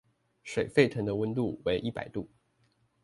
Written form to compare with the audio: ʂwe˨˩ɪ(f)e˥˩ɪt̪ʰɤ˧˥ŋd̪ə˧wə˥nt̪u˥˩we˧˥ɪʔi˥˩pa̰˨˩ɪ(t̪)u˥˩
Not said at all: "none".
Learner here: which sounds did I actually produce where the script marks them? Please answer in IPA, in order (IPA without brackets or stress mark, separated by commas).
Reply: f, t̪